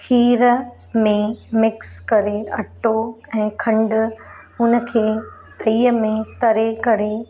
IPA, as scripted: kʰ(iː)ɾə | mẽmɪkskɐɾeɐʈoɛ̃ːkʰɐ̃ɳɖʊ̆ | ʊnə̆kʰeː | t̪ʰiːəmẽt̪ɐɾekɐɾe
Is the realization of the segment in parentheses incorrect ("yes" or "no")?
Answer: no